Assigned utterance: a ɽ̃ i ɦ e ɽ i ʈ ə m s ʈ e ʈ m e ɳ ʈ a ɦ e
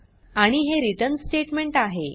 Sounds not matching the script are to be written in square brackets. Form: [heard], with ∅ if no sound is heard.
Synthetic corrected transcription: a ɽ̃ i ɦ e [ɾ] i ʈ ə [n] s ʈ e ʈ m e ɳ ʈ a ɦ e